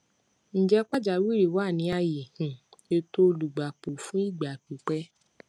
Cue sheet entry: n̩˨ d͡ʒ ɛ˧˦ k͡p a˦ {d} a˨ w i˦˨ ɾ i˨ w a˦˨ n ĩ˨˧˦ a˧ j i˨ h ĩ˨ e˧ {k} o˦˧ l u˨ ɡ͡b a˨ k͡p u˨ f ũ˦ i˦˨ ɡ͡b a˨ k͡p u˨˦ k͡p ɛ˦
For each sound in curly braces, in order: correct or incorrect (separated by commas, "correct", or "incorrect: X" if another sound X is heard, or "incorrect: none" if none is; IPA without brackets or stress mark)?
incorrect: d͡ʒ, incorrect: t